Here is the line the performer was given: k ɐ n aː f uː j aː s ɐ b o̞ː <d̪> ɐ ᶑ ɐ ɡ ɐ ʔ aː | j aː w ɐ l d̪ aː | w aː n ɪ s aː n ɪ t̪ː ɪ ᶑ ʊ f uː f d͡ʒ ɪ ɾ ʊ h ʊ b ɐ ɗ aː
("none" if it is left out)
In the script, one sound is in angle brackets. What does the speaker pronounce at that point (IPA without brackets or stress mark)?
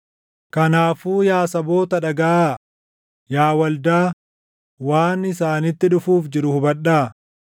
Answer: t̪